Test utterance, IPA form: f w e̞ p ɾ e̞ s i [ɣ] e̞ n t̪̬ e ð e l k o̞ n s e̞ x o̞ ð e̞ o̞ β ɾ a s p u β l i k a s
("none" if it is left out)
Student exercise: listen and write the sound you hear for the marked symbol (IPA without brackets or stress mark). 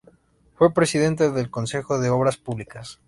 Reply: ð